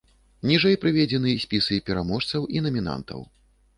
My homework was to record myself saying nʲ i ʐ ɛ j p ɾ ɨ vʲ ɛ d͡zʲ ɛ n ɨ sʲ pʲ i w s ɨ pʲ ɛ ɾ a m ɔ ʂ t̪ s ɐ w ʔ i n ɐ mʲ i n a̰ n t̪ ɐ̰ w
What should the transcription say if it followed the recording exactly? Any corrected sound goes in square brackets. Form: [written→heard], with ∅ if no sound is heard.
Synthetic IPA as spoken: nʲ i ʐ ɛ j p ɾ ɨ vʲ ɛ d͡zʲ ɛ n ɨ sʲ pʲ i [w→∅] s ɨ pʲ ɛ ɾ a m ɔ ʂ t̪ s ɐ w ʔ i n ɐ mʲ i n a̰ n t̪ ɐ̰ w